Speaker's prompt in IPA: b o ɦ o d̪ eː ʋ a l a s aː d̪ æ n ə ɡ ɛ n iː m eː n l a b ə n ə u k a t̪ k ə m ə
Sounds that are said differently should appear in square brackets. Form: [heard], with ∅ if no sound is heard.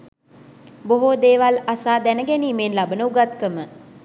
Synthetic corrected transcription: b o ɦ o d̪ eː ʋ a l a s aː d̪ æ n ə ɡ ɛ n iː m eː n l a b ə n ə u [ɡ] a t̪ k ə m ə